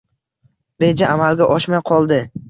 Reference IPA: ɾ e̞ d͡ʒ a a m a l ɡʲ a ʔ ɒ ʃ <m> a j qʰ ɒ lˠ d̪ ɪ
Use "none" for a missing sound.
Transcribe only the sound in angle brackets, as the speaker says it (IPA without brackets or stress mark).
m